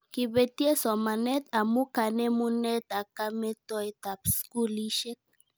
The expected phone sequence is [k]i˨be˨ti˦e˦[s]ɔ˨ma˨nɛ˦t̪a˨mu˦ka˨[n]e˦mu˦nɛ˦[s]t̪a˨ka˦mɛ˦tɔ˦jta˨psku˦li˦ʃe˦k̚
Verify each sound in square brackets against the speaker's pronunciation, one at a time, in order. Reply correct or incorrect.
correct, correct, correct, incorrect: none

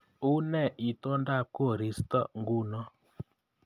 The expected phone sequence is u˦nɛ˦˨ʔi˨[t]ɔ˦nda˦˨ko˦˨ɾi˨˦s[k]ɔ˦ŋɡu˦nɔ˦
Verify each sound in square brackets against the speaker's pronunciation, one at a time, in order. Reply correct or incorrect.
correct, incorrect: t

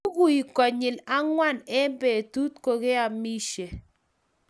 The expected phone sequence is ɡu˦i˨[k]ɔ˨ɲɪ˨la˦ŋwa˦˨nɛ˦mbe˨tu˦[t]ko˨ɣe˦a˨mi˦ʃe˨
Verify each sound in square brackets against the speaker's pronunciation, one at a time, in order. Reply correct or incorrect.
correct, correct

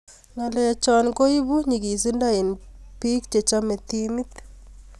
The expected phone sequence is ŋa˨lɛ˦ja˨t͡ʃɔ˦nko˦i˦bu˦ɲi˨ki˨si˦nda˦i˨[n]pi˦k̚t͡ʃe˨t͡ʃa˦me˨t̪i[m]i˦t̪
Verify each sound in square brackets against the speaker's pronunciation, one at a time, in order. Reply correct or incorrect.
correct, correct

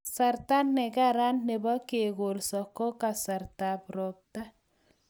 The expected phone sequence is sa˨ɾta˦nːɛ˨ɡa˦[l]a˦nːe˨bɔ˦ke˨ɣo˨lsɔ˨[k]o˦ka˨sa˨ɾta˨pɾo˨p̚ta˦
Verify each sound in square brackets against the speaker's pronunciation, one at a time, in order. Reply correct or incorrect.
incorrect: ɾ, correct

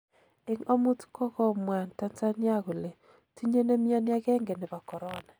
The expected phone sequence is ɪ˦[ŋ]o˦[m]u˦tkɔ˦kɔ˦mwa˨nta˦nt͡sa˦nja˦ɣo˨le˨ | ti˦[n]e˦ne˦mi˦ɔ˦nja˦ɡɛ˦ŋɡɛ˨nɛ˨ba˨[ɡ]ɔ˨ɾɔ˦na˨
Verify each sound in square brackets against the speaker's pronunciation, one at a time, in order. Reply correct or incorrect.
correct, correct, incorrect: ɲ, incorrect: k

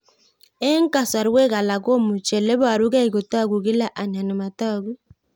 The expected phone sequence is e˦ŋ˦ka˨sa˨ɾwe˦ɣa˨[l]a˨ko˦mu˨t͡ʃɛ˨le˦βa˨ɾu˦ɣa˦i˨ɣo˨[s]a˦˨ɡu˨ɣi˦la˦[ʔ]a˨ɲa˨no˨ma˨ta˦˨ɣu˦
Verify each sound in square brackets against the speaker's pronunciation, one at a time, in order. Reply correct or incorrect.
correct, incorrect: t, correct

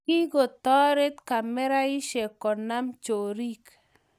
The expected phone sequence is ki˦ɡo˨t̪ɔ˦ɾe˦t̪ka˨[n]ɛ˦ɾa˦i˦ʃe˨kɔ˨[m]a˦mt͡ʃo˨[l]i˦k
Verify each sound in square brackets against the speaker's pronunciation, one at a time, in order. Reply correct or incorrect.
incorrect: m, incorrect: n, incorrect: ɾ

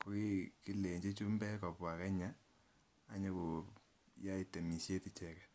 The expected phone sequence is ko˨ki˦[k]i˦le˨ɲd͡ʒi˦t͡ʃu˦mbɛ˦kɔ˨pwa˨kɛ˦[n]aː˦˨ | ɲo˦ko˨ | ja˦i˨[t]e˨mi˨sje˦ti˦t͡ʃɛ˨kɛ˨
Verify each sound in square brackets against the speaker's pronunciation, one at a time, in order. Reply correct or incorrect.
correct, incorrect: ɲ, correct

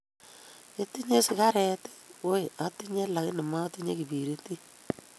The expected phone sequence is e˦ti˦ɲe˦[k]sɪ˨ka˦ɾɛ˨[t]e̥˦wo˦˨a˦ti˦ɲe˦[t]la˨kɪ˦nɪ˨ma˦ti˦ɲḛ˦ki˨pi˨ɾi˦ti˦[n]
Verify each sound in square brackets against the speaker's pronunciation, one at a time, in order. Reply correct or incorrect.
incorrect: none, correct, incorrect: none, incorrect: none

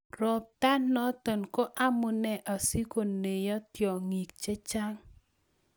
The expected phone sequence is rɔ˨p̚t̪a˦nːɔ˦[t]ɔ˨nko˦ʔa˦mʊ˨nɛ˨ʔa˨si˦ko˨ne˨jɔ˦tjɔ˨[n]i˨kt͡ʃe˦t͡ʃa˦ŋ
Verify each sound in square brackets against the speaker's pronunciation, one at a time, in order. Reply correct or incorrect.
correct, incorrect: ŋ

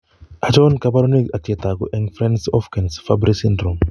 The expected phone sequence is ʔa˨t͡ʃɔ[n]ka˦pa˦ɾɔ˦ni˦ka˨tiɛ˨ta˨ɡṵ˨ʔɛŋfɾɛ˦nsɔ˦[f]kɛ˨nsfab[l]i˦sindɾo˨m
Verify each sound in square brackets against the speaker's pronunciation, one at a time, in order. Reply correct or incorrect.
correct, correct, incorrect: ɾ

